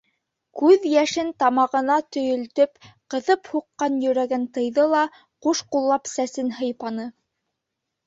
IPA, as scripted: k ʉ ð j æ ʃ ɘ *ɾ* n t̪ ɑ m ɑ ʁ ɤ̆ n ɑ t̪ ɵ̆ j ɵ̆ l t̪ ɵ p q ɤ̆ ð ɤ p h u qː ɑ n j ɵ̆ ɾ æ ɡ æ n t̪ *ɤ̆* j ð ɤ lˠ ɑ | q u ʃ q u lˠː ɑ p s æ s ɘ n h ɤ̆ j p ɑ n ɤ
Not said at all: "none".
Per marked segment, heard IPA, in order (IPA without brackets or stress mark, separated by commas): none, ɤ̆